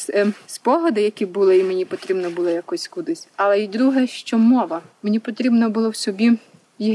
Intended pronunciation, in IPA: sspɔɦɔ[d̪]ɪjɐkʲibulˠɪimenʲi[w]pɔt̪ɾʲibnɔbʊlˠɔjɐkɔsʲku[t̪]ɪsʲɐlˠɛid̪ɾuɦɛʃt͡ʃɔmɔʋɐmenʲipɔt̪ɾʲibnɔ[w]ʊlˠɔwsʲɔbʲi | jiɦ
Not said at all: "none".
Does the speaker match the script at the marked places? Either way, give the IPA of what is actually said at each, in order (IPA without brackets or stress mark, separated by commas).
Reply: d̪, none, d̪, b